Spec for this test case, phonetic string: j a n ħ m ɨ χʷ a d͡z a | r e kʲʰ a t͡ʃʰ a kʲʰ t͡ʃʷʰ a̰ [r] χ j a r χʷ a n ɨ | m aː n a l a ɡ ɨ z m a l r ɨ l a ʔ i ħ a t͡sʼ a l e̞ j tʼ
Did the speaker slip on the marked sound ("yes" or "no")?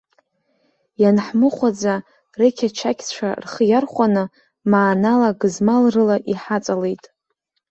no